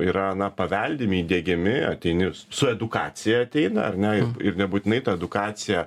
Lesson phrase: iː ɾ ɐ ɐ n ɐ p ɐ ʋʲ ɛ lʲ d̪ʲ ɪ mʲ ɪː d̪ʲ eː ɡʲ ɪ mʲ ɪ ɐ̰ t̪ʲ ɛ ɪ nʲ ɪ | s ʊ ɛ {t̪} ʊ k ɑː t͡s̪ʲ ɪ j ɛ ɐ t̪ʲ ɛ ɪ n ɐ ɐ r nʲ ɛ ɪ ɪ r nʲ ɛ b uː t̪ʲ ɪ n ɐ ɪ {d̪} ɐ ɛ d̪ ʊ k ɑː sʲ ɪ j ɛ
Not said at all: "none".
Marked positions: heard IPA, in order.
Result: d̪, t̪

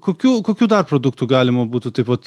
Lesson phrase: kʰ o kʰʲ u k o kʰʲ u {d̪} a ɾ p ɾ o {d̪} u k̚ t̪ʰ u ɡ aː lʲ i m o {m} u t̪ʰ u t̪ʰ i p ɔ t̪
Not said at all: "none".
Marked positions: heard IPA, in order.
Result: d̪, d̪, b

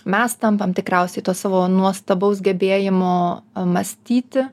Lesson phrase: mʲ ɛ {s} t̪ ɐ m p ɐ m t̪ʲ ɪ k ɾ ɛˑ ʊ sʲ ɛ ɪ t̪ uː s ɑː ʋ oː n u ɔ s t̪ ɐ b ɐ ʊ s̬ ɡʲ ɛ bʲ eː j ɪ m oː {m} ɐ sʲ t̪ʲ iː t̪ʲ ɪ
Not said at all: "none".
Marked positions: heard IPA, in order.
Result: s, m

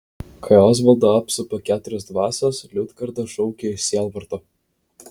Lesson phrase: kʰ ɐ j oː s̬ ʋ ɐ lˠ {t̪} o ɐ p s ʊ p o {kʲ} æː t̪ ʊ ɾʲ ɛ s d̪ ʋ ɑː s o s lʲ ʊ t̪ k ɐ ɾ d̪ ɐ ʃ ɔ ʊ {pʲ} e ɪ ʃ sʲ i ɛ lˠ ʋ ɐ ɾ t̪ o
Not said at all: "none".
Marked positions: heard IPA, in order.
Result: d̪, kʲ, kʲ

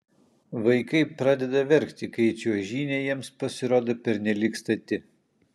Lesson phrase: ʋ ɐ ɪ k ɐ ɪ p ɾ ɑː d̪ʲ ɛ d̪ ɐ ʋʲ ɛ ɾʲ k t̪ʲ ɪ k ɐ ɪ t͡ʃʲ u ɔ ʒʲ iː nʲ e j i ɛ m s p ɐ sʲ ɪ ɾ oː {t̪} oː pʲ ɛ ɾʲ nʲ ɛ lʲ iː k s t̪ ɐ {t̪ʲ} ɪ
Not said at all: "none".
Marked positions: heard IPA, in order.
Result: d̪, t̪ʲ

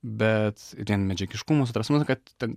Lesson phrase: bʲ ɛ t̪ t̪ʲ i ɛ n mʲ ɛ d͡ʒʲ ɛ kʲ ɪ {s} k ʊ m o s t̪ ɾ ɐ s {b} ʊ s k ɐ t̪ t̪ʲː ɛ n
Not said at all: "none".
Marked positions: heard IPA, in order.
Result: ʃ, m

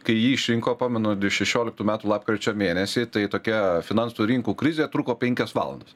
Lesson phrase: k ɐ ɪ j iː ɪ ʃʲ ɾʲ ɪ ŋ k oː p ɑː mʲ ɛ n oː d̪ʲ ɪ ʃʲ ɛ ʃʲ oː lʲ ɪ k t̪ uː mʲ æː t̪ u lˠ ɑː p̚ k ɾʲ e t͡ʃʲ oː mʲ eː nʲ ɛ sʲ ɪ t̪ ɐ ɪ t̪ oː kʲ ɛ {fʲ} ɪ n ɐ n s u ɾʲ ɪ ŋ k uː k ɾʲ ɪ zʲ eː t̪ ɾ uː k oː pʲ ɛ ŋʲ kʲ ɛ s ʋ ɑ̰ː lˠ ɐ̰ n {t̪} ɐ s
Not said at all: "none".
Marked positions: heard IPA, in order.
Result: fʲ, d̪

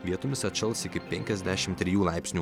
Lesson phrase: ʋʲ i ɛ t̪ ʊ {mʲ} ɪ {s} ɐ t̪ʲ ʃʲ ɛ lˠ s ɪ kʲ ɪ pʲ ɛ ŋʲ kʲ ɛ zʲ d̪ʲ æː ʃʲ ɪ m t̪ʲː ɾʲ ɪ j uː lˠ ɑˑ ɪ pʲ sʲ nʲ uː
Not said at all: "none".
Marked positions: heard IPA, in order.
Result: mʲ, s

